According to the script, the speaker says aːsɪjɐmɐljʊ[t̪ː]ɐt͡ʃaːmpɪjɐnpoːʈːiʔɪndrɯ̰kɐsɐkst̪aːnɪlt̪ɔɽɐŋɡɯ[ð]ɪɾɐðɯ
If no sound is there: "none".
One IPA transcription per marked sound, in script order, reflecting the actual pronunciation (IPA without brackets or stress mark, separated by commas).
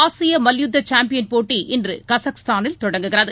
d̪ː, ɣ